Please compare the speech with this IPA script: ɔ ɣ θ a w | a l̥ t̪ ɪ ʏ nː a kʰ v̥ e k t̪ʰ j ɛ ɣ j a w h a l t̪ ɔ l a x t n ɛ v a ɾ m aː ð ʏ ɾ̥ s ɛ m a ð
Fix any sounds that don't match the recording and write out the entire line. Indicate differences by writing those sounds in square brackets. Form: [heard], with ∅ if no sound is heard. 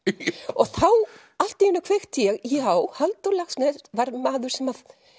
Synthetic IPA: ɔ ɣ θ a w | a l̥ t̪ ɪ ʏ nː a kʰ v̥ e [x] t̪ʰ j ɛ ɣ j a w h a l t̪ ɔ l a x [s] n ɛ v a ɾ m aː ð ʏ ɾ̥ s ɛ m a ð